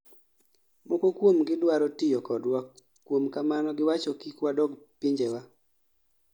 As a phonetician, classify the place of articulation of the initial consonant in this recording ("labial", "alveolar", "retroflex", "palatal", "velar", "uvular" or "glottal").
labial